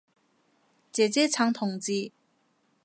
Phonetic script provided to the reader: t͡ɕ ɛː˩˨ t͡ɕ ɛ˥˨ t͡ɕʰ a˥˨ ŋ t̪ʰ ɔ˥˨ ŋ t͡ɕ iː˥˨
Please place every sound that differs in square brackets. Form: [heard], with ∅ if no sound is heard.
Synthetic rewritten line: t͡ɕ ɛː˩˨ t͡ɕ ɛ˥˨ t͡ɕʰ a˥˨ ŋ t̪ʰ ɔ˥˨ ŋ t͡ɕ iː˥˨